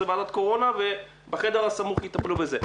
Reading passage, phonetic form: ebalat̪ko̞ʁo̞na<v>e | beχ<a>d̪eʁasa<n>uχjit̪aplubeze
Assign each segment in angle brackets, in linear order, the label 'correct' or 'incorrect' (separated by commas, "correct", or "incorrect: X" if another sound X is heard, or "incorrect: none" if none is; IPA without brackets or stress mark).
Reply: correct, incorrect: e, incorrect: m